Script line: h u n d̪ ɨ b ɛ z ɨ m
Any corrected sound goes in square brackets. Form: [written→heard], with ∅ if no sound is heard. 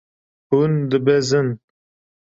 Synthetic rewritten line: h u n d̪ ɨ b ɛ z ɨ [m→n]